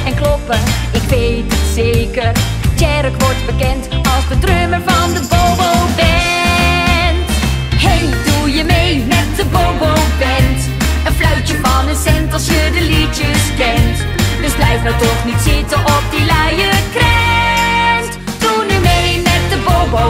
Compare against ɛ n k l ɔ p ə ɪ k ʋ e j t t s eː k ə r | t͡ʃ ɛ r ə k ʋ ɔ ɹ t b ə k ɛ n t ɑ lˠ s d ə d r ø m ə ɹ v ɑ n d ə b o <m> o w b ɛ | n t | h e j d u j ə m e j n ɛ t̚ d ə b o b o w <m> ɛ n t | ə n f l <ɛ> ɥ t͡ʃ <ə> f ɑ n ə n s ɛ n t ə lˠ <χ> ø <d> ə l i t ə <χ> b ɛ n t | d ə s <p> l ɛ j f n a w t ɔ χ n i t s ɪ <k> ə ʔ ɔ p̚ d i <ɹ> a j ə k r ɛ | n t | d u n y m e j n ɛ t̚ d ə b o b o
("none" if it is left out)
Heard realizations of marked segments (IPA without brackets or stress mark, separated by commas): b, b, œ, ə, s, d, s, b, t, l